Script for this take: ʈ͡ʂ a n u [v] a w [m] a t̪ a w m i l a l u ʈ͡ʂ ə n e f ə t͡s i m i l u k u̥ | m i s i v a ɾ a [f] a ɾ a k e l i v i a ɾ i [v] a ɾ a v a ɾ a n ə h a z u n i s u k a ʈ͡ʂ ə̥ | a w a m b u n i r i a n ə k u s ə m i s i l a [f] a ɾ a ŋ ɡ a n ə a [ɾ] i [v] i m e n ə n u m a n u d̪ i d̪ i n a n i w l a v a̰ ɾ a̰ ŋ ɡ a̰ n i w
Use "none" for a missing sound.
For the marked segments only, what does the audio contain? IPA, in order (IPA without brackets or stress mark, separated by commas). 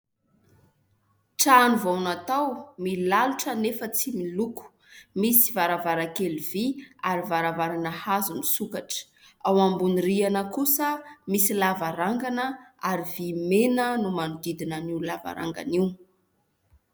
v, n, v, v, v, ɾ, v